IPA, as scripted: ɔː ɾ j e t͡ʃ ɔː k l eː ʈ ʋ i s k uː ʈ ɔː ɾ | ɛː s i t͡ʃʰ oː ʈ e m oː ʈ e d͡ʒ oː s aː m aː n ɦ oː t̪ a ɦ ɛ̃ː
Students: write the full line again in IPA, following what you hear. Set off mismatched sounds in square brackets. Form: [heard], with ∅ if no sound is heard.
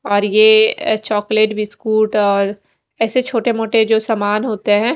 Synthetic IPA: ɔː ɾ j e t͡ʃ ɔː k l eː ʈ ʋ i s k uː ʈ ɔː ɾ | ɛː s [e] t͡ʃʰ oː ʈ e m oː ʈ e d͡ʒ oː s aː m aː n ɦ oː t̪ [e] ɦ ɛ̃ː

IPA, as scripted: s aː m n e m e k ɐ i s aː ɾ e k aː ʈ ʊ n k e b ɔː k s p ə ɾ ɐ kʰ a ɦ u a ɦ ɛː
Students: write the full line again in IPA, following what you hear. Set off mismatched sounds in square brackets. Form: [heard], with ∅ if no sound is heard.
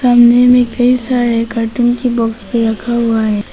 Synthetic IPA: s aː m n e m [ẽ] k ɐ i s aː ɾ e k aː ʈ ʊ n k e b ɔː k s p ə ɾ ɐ kʰ a ɦ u a ɦ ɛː

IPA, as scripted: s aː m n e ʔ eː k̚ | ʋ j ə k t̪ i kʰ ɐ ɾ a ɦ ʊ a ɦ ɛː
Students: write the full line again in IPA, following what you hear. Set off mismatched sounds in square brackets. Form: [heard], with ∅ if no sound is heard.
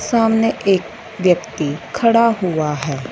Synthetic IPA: s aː m n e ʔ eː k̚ | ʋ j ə k t̪ i kʰ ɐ [ɽ] a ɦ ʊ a ɦ ɛː

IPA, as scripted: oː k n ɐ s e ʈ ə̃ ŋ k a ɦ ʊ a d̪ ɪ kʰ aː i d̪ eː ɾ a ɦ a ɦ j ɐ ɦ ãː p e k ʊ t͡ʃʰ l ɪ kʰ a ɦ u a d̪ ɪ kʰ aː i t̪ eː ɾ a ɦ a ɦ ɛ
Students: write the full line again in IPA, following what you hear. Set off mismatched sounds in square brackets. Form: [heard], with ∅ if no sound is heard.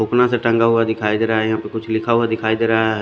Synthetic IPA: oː k n [a] s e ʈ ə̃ ŋ [ɡ] a ɦ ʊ a d̪ ɪ kʰ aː i d̪ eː ɾ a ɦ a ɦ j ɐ ɦ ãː p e k ʊ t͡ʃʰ l ɪ kʰ a ɦ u a d̪ ɪ kʰ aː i [d̪] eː ɾ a ɦ a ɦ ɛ

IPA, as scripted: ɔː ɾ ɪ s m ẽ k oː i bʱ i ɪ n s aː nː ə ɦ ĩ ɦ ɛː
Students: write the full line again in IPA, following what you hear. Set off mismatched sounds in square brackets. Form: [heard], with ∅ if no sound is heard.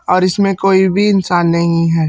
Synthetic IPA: ɔː ɾ ɪ s m ẽ k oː i bʱ i ɪ n s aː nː [ɐ] ɦ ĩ ɦ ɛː

